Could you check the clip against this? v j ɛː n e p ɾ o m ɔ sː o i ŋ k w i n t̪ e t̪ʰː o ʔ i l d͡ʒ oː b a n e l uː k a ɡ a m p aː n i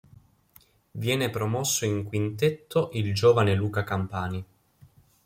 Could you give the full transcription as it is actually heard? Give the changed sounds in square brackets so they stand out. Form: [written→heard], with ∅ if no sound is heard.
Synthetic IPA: v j ɛː n e p ɾ o m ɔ sː o i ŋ k w i n t̪ e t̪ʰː o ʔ i l d͡ʒ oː [b→v] a n e l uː k a [ɡ→k] a m p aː n i